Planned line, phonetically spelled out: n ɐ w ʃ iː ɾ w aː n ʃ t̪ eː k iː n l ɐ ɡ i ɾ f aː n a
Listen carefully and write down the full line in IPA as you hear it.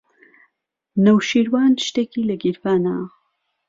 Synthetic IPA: n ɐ w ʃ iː ɾ w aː n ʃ t̪ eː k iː l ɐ ɡ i ɾ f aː n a

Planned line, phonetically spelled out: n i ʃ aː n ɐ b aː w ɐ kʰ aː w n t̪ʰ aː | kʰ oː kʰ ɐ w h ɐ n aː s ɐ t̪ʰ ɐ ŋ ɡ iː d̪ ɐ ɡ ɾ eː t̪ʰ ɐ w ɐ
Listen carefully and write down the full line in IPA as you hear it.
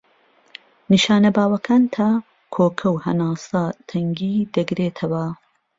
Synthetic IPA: n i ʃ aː n ɐ b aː w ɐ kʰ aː n t̪ʰ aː | kʰ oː kʰ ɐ w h ɐ n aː s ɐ t̪ʰ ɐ ŋ ɡ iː d̪ ɐ ɡ ɾ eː t̪ʰ ɐ w ɐ

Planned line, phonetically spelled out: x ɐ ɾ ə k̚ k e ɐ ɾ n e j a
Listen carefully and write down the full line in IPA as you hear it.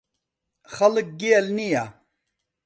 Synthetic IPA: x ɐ l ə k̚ ɡ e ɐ l n i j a

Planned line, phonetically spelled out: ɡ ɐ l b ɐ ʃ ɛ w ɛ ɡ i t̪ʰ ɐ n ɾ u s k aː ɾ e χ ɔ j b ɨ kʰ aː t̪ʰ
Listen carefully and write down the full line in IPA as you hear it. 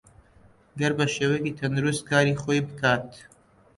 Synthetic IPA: ɡ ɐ ɾ b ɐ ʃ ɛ w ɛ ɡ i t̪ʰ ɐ n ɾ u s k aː ɾ i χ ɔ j b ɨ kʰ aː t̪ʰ

